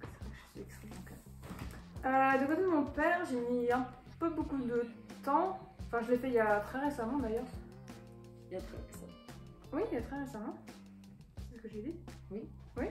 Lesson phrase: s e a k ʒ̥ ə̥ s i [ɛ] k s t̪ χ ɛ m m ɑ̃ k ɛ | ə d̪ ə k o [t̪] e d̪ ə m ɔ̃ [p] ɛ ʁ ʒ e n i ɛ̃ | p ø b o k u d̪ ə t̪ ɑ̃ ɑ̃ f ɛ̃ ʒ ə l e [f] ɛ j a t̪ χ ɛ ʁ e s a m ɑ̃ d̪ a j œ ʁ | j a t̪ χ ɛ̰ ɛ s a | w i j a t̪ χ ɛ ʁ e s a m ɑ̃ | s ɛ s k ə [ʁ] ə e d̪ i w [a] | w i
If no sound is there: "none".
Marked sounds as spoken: ɛ, t̪, p, f, ʒ, i

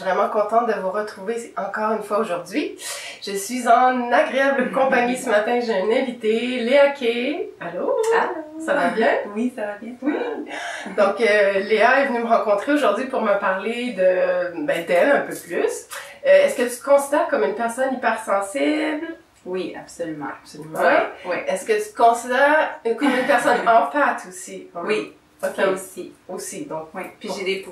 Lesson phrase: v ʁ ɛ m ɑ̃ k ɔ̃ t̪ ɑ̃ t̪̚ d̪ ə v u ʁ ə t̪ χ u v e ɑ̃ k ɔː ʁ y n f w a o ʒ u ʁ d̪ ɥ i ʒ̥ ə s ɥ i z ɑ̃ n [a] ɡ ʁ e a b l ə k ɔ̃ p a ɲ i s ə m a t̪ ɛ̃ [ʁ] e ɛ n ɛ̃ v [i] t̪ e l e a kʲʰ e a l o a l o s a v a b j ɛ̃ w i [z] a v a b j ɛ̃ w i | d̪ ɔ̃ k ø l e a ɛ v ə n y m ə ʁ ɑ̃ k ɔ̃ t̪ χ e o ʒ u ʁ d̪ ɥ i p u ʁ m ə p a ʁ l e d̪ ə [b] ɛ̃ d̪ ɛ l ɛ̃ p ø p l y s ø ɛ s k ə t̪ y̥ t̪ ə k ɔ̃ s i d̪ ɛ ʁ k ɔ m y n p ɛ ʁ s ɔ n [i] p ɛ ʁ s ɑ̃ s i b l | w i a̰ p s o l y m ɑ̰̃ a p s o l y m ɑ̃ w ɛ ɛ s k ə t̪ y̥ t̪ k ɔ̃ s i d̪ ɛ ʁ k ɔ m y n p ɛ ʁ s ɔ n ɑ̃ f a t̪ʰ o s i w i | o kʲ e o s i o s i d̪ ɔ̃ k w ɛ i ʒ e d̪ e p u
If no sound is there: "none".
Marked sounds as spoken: a, ʒ, i, s, b, i

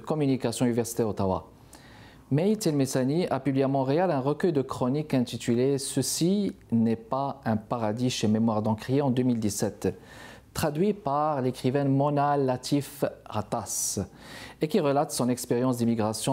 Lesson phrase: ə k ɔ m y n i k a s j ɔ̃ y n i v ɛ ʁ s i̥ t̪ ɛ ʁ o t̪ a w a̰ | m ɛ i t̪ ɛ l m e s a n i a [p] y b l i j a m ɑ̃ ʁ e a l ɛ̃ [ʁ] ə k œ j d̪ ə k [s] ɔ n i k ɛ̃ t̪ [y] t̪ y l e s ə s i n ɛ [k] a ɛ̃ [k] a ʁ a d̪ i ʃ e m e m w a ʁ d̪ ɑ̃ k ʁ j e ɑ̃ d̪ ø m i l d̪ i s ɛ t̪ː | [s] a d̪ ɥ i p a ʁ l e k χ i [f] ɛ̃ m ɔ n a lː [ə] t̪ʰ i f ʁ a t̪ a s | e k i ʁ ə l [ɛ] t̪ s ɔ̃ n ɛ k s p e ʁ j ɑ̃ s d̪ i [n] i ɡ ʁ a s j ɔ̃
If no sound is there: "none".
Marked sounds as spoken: p, ʁ, χ, i, p, p, χ, v, a, a, m

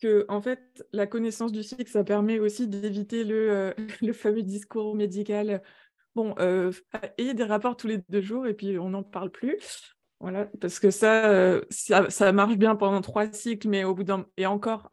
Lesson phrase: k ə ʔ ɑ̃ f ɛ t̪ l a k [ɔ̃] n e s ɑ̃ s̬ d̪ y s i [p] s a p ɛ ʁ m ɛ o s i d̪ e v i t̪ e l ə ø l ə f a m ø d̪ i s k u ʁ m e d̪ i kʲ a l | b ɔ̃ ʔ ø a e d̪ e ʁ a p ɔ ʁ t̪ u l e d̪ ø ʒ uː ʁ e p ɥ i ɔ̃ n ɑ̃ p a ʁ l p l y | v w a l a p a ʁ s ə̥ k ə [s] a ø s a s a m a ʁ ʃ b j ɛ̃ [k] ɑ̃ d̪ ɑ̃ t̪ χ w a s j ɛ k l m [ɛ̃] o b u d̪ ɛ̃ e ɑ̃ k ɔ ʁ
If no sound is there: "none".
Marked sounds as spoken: ɔ, k, s, p, ɛ

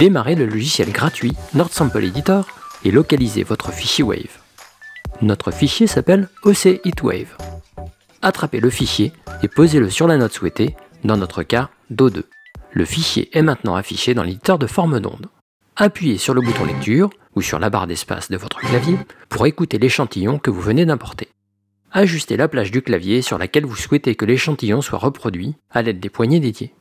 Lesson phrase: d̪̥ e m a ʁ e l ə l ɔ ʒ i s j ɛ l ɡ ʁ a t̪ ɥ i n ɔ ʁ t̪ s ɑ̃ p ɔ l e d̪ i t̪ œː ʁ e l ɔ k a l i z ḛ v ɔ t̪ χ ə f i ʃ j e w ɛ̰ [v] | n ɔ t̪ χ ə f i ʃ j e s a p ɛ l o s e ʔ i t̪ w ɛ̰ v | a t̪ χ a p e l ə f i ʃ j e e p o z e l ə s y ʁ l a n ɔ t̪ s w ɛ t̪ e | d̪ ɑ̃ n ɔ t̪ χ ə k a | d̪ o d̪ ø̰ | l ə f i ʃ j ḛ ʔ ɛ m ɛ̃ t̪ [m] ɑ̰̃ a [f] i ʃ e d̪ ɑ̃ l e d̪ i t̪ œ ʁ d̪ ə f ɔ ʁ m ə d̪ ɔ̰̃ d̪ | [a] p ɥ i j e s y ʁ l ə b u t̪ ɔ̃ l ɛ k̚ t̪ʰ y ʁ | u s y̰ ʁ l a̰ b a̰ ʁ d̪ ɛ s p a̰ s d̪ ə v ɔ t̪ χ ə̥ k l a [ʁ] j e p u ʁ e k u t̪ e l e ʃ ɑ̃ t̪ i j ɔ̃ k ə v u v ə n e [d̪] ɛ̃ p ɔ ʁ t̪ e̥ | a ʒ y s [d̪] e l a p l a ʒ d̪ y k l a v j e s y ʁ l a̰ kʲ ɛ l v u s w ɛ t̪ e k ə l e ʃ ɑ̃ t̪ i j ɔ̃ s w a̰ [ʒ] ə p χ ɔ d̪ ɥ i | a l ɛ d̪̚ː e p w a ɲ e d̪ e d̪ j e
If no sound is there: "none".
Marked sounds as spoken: v, n, f, a, v, d̪, t̪, ʁ

